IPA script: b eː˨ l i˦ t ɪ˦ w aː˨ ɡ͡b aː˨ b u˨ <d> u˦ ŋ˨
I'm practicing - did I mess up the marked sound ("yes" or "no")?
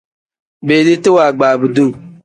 no